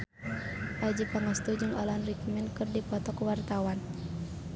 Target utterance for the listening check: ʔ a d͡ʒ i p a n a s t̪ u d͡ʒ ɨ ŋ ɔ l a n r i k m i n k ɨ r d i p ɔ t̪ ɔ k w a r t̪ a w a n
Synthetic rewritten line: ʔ a d͡ʒ i p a ŋ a s t̪ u d͡ʒ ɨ ŋ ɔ l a n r i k m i n k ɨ r d i p ɔ t̪ ɔ k w a r t̪ a w a n